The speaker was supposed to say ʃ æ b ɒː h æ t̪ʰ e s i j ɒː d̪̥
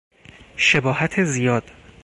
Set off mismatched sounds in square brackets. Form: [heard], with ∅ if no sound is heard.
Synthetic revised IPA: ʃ [e] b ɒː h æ t̪ʰ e [z] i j ɒː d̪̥